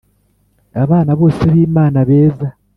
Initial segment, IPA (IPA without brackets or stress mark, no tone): a